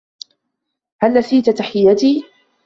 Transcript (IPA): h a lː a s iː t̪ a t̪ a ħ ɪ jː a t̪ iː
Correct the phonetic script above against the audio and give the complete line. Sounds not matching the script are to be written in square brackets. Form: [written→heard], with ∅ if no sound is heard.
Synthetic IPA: h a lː a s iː t̪ a t̪ a ħ ɪ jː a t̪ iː